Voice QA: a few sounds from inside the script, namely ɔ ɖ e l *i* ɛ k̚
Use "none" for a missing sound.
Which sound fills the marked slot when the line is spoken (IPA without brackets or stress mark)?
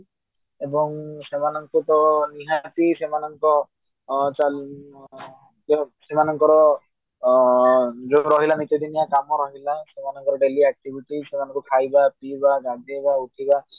i